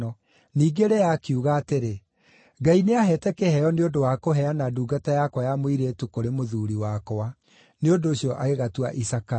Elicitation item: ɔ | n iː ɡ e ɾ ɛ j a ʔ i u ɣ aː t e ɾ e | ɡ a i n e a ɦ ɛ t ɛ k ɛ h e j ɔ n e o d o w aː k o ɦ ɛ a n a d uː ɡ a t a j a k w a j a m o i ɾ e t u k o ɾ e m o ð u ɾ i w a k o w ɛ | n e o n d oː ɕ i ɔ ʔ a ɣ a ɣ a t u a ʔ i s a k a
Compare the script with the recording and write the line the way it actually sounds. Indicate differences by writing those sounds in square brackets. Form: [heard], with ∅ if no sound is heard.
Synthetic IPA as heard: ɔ | n iː ɡ e ɾ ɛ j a [k] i u ɣ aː t e ɾ e | ɡ a i n e a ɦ ɛ t ɛ k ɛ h [ɛ] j ɔ n e o d o w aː k o ɦ ɛ a n a d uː ɡ a t a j a k w a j a m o i ɾ e t u k o ɾ e m o ð u ɾ i w a k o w [a] | n e o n d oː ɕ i ɔ ʔ a ɣ [e] ɣ a t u a ʔ i s a k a